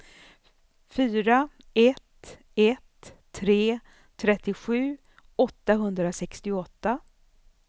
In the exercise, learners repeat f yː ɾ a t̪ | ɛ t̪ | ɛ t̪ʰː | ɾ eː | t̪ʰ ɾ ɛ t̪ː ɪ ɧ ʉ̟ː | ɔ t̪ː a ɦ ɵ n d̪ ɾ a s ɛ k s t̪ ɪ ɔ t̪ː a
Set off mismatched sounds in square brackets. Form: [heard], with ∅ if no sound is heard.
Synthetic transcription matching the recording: f yː ɾ a [∅] | ɛ t̪ | ɛ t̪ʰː | ɾ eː | t̪ʰ ɾ ɛ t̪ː ɪ ɧ ʉ̟ː | ɔ t̪ː a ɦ ɵ n d̪ ɾ a s ɛ k s t̪ ɪ ɔ t̪ː a